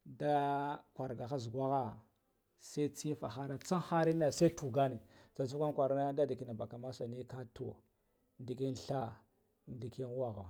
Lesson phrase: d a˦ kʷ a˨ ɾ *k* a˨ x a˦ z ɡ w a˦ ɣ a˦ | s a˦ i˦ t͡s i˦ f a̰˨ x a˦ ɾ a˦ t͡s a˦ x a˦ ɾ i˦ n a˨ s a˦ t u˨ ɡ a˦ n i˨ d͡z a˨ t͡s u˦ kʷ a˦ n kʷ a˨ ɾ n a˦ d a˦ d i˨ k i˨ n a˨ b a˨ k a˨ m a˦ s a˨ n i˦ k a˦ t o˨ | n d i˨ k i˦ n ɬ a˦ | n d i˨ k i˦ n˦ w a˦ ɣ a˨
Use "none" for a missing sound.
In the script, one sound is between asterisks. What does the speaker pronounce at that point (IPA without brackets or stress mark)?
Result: ɡ